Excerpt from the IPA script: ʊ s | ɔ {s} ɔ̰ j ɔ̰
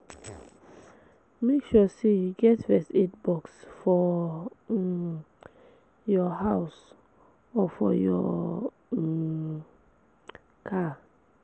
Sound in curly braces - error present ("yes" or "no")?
yes